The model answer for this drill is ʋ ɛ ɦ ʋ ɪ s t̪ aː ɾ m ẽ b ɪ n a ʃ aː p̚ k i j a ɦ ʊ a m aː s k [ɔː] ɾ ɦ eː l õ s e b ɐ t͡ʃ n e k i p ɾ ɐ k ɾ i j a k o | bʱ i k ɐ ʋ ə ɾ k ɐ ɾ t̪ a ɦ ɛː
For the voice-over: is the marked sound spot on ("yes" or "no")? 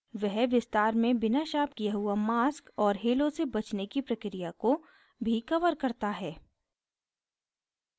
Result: yes